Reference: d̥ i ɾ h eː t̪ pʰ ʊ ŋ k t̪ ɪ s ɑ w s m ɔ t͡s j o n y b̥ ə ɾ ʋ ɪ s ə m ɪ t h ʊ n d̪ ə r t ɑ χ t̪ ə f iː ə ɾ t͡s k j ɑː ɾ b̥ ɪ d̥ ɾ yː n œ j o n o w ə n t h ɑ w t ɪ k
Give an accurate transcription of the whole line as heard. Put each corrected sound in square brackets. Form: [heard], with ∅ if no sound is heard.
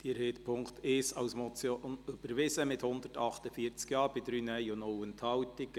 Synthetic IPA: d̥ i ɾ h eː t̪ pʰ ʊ ŋ k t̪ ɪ s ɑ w s m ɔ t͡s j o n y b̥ ə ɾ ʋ ɪ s ə m ɪ t h ʊ n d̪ ə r t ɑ χ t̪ ə f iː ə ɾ t͡s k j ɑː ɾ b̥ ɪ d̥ ɾ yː n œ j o n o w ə n t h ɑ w t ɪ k